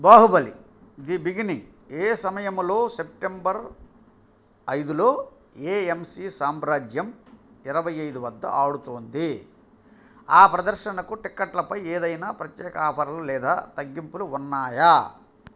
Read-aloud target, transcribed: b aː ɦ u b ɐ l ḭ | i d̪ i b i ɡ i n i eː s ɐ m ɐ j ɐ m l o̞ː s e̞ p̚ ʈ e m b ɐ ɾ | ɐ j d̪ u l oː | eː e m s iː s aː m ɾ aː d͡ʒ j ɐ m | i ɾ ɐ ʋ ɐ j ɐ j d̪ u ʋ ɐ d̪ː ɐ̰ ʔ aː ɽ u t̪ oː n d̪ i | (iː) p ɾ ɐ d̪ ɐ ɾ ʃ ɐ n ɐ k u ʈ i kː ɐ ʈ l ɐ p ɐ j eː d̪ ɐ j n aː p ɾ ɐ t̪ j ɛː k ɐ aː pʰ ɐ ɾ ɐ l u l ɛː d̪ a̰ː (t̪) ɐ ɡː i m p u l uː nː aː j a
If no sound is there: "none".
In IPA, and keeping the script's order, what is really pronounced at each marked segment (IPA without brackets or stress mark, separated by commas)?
aː, t̪